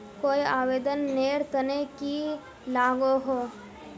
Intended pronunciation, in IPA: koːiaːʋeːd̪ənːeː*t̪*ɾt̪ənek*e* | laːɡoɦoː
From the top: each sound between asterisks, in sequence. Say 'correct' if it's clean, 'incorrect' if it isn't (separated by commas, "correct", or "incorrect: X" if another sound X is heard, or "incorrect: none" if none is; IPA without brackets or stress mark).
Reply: incorrect: none, incorrect: i